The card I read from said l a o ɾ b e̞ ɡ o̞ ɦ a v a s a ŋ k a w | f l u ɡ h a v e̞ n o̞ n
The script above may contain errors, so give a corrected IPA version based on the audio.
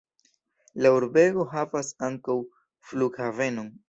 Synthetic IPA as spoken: l a u ɾ b e̞ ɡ o̞ ɦ a v a s a ŋ k a w | f l u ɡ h a v e̞ n o̞ n